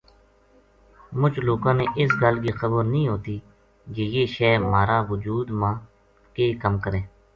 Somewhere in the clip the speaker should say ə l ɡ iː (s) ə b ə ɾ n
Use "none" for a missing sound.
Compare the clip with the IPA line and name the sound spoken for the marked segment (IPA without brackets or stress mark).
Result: x